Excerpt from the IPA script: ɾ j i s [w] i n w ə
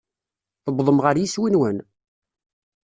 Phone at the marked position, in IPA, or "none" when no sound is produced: w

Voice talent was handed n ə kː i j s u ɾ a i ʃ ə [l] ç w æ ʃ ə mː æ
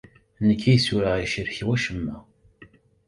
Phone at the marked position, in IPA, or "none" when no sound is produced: ɾ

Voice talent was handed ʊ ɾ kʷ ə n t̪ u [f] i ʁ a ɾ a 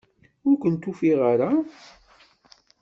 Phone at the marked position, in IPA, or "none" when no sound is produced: f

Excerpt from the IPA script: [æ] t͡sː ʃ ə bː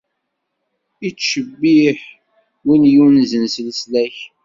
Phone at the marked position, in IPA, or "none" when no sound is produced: i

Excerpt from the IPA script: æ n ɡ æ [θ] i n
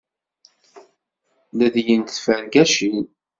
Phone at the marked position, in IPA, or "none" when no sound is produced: ʃ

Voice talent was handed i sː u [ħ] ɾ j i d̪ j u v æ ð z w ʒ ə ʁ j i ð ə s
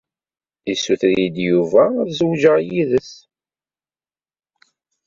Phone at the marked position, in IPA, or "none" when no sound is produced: θ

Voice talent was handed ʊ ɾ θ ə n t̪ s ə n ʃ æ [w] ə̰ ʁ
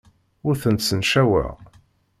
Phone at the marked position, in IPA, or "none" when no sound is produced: w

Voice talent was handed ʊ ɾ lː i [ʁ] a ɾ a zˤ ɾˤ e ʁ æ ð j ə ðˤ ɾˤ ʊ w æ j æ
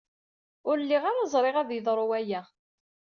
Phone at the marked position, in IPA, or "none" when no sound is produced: ʁ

